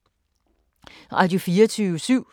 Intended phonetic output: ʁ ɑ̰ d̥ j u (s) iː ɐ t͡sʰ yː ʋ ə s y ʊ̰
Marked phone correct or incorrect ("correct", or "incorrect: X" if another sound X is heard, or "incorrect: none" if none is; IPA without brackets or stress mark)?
incorrect: f